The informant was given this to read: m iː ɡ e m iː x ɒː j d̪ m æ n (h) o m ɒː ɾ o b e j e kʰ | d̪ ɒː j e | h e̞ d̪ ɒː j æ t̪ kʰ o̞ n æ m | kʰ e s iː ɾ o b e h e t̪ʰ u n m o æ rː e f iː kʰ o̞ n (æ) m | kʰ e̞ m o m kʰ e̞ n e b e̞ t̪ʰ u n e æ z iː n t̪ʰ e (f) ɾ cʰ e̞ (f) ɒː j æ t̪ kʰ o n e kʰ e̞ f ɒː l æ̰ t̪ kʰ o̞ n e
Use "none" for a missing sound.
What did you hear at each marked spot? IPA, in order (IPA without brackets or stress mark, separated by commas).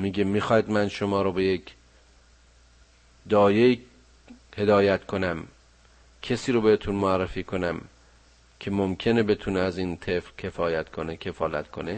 ʃ, æ, f, f